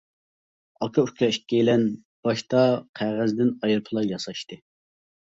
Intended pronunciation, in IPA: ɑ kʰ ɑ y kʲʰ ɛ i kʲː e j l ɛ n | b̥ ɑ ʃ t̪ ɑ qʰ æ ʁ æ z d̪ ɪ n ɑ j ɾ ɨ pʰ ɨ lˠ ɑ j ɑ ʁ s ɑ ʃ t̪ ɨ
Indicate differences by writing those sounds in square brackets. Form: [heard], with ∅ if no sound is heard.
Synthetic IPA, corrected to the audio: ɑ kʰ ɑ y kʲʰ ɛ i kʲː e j l ɛ n | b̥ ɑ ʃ t̪ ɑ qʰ æ ʁ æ z d̪ ɪ n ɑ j ɾ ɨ pʰ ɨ lˠ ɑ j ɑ [∅] s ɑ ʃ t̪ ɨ